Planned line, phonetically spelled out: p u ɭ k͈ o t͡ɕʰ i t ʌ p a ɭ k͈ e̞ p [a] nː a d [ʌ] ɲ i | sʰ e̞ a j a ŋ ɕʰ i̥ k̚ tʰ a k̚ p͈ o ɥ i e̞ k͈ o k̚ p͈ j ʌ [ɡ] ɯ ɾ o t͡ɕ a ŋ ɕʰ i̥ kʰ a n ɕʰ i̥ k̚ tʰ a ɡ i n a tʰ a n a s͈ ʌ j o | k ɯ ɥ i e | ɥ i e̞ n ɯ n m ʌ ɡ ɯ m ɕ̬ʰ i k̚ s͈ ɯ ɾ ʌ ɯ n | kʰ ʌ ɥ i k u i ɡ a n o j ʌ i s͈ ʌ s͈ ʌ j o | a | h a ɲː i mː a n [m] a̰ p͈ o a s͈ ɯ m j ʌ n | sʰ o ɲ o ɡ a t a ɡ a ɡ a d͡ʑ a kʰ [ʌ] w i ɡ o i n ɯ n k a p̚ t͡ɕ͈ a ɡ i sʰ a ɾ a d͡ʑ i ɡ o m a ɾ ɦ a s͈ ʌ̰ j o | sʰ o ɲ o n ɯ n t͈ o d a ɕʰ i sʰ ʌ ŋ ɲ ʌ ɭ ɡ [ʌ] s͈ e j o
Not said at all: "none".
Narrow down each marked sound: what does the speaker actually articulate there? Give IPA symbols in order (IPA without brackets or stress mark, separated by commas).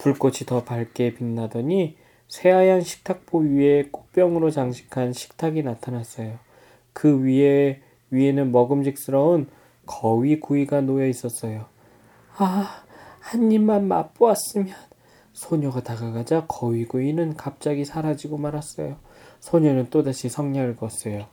i, ʌ, ŋ, m, ʌ, ʌ